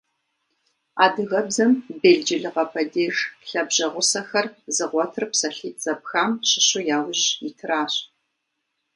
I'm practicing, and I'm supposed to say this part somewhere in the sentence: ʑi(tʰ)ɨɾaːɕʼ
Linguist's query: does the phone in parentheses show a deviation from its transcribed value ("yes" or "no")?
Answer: no